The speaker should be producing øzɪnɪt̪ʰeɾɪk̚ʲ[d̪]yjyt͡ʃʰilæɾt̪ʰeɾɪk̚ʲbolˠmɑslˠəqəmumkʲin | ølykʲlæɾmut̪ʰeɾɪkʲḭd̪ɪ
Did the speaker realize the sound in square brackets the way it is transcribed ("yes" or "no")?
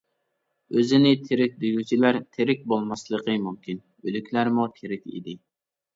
yes